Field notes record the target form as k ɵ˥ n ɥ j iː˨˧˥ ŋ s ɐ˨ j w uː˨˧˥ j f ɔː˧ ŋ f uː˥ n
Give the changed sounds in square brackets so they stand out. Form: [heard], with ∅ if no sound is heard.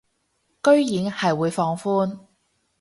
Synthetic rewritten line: k ɵ˥ [∅] ɥ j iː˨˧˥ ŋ [h] ɐ˨ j w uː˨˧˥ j f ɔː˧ ŋ f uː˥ n